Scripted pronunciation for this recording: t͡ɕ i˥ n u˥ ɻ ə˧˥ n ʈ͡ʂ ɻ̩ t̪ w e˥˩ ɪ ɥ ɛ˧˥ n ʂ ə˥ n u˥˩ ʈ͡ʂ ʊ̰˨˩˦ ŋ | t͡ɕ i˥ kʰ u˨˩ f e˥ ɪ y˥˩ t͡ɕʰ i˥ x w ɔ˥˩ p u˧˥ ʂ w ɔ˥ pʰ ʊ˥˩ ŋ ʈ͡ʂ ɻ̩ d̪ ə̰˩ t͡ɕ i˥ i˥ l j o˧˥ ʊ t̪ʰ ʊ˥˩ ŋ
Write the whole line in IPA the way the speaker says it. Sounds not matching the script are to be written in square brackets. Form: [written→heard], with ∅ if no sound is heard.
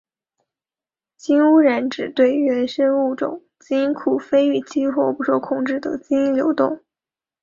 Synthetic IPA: t͡ɕ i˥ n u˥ ɻ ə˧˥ n ʈ͡ʂ ɻ̩ t̪ w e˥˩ ɪ ɥ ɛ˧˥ n ʂ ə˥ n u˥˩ ʈ͡ʂ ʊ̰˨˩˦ ŋ | t͡ɕ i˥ kʰ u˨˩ f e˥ ɪ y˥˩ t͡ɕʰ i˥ x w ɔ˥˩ p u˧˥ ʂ w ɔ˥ [pʰ→kʰ] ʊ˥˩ ŋ ʈ͡ʂ ɻ̩ d̪ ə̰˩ t͡ɕ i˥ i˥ l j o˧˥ ʊ [t̪ʰ→t̪] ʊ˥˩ ŋ